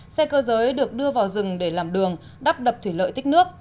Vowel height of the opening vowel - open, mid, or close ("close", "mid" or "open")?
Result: mid